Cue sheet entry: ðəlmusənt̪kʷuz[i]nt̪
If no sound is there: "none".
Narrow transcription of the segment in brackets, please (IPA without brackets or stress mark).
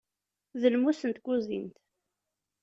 i